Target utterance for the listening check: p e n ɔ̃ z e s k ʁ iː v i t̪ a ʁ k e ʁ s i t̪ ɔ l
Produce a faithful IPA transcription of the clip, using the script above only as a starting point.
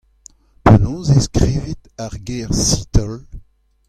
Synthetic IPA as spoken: p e n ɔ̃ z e s k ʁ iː v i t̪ a ʁ ɡ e ʁ s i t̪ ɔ l

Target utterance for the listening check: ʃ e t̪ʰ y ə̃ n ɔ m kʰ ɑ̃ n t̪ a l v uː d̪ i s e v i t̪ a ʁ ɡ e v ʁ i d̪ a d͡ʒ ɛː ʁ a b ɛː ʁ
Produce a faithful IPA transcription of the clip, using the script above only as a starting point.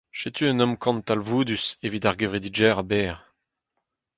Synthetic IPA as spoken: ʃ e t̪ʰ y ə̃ n ɔ m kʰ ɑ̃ n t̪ a l v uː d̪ y s e v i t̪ a ʁ ɡ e v ʁ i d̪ i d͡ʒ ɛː ʁ a b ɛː ʁ

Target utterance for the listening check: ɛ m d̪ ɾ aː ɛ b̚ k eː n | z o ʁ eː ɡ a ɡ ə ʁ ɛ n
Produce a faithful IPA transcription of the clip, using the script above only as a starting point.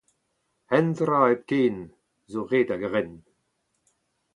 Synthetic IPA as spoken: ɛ n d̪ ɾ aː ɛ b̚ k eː n | z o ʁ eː d a ɡ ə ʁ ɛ n

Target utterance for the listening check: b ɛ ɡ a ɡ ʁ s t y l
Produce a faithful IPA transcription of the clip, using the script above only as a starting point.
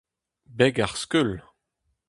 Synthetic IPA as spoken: b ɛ ɡ a ʁ s k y l

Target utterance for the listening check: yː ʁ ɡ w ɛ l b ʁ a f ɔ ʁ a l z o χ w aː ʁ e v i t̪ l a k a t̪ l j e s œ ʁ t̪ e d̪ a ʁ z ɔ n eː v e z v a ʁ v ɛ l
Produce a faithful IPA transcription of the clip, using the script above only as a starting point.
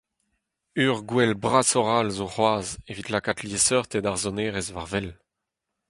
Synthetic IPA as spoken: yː ʁ ɡ w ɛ l b ʁ a s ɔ ʁ a l z o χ w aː z e v i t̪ l a k a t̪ l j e s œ ʁ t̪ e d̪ a ʁ z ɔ n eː ʁ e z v a ʁ v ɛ l

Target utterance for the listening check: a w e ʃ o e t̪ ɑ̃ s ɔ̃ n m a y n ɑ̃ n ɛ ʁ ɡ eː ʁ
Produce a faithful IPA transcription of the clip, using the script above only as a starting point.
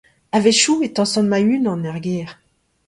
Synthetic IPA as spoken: a v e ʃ u e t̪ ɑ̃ s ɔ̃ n m a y n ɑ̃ n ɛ ʁ ɡ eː ʁ

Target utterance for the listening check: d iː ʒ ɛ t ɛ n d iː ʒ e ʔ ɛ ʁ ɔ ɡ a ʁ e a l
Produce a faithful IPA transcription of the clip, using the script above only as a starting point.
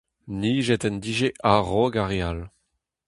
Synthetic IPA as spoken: n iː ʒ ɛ t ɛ n d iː ʒ e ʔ a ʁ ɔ ɡ a ʁ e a l

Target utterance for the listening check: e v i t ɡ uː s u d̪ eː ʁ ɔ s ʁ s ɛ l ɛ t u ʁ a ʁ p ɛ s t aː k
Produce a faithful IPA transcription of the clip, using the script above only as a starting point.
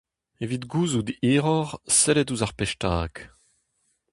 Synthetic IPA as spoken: e v i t ɡ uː z u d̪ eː ʁ ɔ ʁ s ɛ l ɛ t u z a ʁ p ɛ ʃ t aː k

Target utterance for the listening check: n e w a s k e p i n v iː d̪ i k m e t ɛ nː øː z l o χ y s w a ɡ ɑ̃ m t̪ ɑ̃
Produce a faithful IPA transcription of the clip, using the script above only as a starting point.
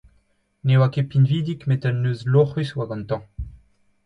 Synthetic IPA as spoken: n e w a k e p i n v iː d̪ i k m e t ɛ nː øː z l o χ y s w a ɡ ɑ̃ n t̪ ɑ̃

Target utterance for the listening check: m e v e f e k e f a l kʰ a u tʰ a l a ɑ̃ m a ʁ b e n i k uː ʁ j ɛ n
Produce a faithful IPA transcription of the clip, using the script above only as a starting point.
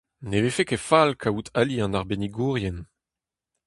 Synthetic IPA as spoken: n e v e f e k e f a l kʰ a u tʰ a l i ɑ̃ n a ʁ b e n i ɡ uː ʁ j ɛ n

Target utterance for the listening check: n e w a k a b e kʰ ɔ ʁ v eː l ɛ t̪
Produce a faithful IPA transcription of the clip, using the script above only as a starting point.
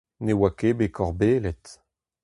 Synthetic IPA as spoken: n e w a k e b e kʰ ɔ ʁ b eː l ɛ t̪

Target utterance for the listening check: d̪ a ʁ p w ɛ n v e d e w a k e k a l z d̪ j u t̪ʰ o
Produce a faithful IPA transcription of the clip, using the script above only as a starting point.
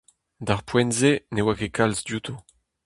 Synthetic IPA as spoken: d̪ a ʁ p w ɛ n z e n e w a k e k a l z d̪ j u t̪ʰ o

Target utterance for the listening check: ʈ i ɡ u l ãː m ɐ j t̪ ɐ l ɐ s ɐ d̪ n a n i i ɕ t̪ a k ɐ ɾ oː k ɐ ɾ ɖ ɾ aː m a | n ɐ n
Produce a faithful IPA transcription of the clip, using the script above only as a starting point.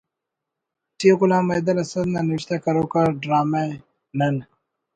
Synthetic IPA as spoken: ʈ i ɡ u l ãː m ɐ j d̪ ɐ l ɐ s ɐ d̪ n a n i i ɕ t̪ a k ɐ ɾ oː k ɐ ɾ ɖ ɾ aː m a | n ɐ n

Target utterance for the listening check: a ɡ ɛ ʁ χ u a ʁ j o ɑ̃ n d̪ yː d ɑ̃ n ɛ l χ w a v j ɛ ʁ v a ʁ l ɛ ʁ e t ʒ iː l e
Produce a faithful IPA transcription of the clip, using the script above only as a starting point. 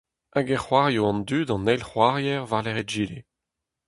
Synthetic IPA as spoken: a ɡ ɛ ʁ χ w a ʁ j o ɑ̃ n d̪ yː d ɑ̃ n ɛ l χ w a ʁ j ɛ ʁ v a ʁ l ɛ ʁ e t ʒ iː l e

